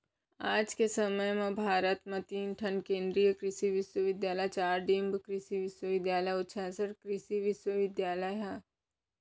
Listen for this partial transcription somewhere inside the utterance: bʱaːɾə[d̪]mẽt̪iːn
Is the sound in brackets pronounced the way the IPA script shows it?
no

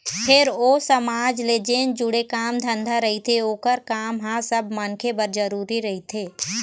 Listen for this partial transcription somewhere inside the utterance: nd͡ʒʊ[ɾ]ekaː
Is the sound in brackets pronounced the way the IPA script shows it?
no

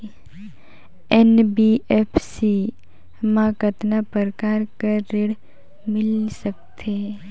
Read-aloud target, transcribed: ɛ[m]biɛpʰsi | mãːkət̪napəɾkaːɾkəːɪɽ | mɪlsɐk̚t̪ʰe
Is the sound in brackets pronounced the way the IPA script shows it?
no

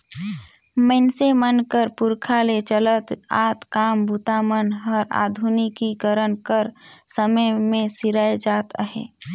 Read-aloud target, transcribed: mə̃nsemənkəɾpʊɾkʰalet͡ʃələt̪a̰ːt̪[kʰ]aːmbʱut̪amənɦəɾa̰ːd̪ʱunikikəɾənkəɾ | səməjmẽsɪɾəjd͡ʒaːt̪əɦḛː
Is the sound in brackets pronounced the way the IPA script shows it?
no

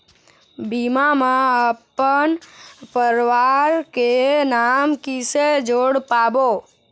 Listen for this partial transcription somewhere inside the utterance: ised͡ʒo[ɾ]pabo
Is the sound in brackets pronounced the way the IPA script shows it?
no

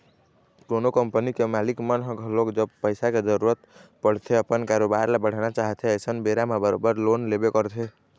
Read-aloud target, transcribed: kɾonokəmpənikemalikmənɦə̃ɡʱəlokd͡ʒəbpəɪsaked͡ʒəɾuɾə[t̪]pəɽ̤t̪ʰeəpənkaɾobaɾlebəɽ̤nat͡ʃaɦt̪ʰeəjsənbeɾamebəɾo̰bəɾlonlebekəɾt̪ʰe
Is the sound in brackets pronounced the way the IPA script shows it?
yes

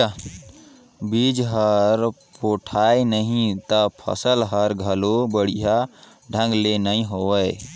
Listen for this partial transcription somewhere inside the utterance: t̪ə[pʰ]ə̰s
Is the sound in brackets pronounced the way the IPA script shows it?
yes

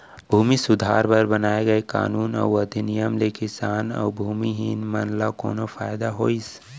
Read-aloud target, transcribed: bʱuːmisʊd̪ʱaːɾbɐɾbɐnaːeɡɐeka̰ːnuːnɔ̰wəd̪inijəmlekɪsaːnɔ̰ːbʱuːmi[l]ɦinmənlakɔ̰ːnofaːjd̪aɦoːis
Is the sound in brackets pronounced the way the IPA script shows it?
no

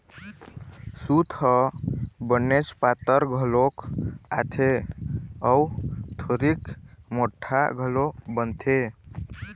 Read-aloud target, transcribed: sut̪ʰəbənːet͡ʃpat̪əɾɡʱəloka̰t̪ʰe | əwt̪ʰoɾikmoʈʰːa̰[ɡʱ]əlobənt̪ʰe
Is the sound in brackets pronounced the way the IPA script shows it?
yes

